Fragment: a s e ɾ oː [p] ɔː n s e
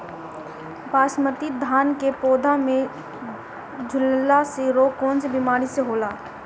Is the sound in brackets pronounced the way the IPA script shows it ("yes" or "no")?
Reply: no